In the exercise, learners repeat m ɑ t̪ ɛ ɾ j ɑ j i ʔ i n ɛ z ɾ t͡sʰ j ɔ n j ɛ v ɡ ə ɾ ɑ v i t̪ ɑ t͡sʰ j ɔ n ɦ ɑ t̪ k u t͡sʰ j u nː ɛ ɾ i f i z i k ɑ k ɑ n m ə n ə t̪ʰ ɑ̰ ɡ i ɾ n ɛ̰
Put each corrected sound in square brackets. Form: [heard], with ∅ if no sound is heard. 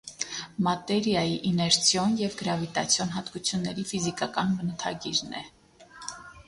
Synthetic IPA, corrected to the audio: m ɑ t̪ ɛ ɾ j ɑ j i ʔ i n ɛ [∅] ɾ t͡sʰ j ɔ n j ɛ v ɡ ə ɾ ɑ v i t̪ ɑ t͡sʰ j ɔ n ɦ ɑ t̪ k u t͡sʰ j u nː ɛ ɾ i f i z i k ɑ k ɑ n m ə n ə t̪ʰ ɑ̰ ɡ i ɾ n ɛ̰